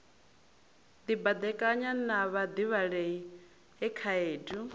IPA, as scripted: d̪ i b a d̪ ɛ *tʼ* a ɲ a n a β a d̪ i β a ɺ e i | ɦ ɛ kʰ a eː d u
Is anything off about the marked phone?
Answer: yes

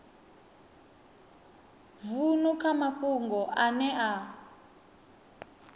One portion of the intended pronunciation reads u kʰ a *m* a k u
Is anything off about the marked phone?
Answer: no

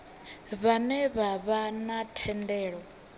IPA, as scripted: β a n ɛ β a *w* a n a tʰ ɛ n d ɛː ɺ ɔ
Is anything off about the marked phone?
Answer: yes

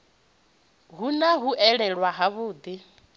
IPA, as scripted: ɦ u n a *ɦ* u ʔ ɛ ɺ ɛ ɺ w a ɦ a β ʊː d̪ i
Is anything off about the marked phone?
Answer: no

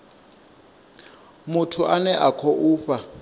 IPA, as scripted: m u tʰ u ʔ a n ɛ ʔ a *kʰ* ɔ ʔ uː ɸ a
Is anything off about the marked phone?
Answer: no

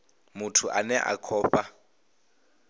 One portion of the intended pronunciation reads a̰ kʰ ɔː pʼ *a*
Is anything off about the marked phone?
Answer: no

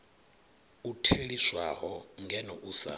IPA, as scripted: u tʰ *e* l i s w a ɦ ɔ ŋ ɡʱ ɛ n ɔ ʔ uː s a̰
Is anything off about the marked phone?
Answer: no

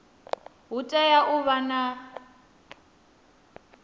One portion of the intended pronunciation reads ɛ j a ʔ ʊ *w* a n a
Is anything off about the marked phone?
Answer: yes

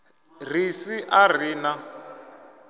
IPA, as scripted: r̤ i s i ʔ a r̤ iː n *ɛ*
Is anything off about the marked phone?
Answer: yes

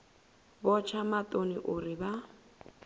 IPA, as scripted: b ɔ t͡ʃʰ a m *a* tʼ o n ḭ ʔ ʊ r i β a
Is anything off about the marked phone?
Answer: no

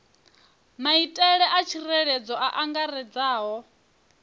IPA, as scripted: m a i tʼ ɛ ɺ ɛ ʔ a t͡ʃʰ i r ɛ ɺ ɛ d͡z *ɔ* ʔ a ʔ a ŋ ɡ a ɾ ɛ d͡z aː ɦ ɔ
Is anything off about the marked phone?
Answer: no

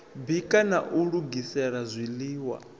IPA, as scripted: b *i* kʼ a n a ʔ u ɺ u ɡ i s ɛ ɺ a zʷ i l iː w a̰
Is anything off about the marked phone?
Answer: no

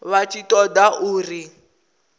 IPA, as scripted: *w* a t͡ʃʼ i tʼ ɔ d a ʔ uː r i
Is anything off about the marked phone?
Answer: yes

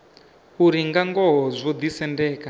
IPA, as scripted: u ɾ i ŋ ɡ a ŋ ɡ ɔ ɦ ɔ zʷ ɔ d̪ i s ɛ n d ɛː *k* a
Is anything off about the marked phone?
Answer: no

